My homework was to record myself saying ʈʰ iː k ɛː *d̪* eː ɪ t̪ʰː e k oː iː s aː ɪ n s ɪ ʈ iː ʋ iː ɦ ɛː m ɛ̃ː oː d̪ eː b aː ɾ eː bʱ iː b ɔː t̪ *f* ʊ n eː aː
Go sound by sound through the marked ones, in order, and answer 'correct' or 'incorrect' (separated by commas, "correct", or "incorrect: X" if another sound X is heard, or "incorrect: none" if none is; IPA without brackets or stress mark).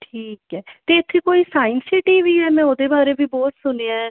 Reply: incorrect: t̪, incorrect: s